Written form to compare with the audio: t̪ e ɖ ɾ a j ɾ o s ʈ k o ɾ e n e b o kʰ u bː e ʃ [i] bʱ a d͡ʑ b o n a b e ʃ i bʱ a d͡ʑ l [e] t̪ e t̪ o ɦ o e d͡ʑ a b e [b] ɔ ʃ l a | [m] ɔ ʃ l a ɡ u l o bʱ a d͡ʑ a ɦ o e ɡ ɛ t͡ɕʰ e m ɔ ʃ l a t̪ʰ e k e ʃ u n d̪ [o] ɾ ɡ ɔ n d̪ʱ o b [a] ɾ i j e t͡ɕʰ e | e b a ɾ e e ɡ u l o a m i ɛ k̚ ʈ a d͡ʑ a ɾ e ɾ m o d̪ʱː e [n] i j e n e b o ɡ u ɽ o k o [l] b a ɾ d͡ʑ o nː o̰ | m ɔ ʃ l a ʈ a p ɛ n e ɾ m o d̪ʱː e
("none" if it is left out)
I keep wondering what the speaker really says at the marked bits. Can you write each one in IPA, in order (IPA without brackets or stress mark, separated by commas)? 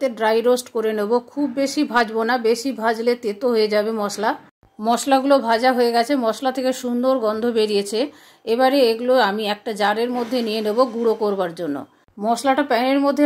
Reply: i, e, m, m, o, e, n, ɾ